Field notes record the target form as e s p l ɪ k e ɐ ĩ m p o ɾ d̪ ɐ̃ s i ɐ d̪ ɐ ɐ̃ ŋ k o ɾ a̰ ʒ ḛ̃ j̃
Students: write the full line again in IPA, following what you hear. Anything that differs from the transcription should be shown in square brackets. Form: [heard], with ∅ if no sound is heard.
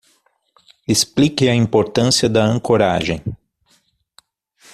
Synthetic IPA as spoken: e s p l [i] k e ɐ ĩ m p o ɾ [t̪] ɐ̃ s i ɐ d̪ ɐ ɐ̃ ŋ k o ɾ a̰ ʒ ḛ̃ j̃